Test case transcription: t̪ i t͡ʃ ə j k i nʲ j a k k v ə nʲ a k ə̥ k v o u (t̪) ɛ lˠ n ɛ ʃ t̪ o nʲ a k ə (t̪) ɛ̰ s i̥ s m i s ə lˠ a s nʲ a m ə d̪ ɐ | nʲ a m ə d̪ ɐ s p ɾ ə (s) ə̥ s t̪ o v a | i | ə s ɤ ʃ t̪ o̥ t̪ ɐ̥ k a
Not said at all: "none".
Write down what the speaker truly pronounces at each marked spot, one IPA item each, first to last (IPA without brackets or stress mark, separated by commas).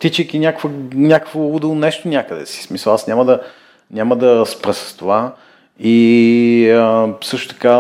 d̪, d̪, s